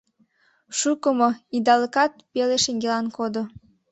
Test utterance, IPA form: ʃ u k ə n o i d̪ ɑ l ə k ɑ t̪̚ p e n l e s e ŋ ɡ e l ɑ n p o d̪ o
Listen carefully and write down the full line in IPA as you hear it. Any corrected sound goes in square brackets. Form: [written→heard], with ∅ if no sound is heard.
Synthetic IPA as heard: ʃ u k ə [n→m] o i d̪ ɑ l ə k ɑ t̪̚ p e [n→∅] l e [s→ʃ] e ŋ ɡ e l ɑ n [p→k] o d̪ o